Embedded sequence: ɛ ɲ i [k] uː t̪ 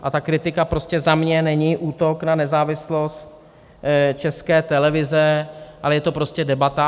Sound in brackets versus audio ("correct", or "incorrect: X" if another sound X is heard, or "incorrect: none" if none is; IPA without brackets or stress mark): incorrect: ʔ